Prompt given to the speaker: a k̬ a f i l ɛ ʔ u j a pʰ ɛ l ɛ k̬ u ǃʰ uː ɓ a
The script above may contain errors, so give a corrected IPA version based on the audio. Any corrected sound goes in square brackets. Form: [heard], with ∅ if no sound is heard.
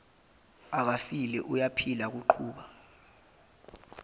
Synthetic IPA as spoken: a k̬ a f i l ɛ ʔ u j a pʰ [i] l [a] k̬ u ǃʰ uː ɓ a